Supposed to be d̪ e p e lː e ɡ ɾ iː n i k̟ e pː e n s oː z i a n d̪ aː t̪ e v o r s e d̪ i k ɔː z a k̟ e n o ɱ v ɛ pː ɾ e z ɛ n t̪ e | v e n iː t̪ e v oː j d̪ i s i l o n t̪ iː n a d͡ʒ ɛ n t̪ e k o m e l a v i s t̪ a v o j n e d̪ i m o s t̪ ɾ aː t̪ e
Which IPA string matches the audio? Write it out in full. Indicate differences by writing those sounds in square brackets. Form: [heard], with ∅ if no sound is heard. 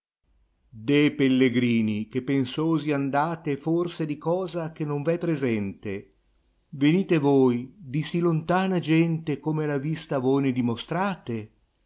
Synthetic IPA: d̪ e p e lː e ɡ ɾ iː n i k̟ e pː e n s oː z i a n d̪ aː t̪ e [f] o r s e d̪ i k ɔː z a k̟ e n o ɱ v ɛ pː ɾ e z ɛ n t̪ e | v e n iː t̪ e v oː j d̪ i s i l o n t̪ [aː] n a d͡ʒ ɛ n t̪ e k o m e l a v i s t̪ a v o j n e d̪ i m o s t̪ ɾ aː t̪ e

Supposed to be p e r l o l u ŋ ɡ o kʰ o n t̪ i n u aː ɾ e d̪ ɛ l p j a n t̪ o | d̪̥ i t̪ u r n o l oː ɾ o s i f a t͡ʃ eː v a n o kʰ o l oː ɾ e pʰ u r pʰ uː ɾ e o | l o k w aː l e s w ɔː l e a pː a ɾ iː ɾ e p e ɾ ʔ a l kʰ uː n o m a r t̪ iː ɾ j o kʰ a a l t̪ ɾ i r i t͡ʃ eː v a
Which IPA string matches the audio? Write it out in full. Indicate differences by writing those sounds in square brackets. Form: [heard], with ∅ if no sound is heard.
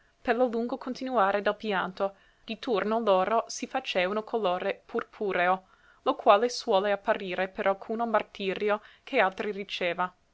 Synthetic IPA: p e r l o l u ŋ ɡ o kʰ o n t̪ i n u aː ɾ e d̪ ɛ l p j a n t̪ o | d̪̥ i t̪ u r n o l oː ɾ o s i f a t͡ʃ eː v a n o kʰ o l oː ɾ e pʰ u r pʰ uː ɾ e o | l o k w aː l e s w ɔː l e a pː a ɾ iː ɾ e p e ɾ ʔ a l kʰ uː n o m a r t̪ iː ɾ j o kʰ [e] a l t̪ ɾ i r i t͡ʃ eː v a

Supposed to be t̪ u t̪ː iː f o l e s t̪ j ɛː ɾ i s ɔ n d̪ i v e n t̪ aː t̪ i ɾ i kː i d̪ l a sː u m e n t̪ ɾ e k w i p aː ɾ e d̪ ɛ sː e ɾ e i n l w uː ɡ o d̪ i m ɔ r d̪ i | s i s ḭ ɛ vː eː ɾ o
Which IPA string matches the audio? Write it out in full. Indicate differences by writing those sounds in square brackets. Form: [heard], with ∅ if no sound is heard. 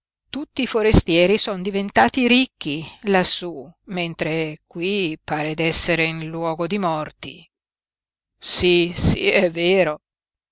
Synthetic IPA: t̪ u t̪ː iː f o [ɾ] e s t̪ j ɛː ɾ i s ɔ n d̪ i v e n t̪ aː t̪ i ɾ i kː i [∅] l a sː u m e n t̪ ɾ e k w i p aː ɾ e d̪ ɛ sː e ɾ e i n l w [ɔː] ɡ o d̪ i m ɔ r [t̪] i | s i s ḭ ɛ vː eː ɾ o

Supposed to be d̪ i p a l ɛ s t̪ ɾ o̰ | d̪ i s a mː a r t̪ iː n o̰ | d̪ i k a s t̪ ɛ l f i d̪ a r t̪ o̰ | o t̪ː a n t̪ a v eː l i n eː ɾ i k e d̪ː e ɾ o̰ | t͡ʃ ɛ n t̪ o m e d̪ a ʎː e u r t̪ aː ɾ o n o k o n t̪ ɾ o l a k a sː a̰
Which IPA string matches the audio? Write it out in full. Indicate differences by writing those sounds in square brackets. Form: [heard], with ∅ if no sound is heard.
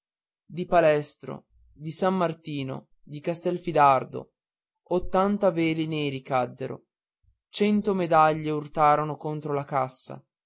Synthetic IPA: d̪ i p a l ɛ s t̪ ɾ o̰ | d̪ i s a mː a r t̪ iː n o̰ | d̪ i k a s t̪ ɛ l f i d̪ a r [d̪] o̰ | o t̪ː a n t̪ a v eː l i n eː ɾ i k [a] d̪ː e ɾ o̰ | t͡ʃ ɛ n t̪ o m e d̪ a ʎː e u r t̪ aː ɾ o n o k o n t̪ ɾ o l a k a sː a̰

